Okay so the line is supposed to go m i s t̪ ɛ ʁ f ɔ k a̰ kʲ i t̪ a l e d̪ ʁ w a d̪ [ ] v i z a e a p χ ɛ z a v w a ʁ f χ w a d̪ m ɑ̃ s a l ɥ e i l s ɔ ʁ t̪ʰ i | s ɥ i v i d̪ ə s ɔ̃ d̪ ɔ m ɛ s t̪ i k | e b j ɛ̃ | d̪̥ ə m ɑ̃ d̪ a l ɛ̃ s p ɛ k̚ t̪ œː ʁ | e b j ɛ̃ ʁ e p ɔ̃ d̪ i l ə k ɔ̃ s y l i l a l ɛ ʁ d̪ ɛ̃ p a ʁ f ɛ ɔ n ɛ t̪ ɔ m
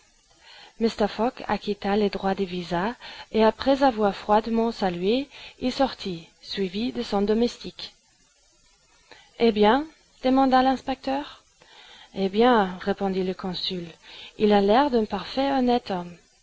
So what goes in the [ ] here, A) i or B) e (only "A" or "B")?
B